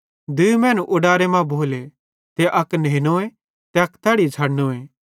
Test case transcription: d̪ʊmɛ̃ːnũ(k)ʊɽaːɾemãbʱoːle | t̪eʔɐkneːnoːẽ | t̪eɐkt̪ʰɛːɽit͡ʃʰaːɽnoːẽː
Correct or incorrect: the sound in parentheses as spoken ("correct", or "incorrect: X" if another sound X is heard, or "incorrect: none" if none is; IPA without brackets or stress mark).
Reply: incorrect: ʔ